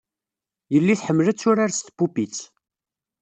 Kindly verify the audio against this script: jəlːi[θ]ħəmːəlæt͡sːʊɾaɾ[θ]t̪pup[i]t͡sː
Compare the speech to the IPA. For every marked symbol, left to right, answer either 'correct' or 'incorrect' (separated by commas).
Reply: correct, incorrect, correct